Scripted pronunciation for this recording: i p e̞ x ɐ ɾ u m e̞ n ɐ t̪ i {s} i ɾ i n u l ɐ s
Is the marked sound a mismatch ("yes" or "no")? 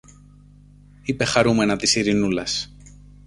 no